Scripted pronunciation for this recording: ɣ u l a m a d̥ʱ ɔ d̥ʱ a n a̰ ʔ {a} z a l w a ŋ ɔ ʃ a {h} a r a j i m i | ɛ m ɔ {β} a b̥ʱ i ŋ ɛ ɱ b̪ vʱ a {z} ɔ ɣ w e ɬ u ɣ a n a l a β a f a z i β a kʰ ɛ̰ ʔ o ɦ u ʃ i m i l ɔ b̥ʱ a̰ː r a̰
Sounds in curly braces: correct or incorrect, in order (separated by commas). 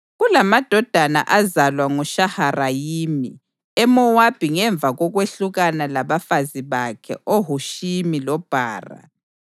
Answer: correct, correct, incorrect, incorrect